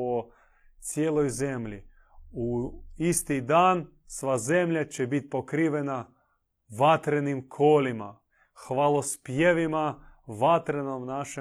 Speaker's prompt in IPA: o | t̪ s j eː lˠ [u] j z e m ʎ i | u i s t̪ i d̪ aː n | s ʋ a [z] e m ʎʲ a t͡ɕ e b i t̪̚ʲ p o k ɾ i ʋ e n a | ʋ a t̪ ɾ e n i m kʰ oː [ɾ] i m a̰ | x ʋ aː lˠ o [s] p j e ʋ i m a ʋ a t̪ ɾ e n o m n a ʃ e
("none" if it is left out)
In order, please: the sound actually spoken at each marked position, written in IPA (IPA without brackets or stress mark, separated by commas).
o, z, l, s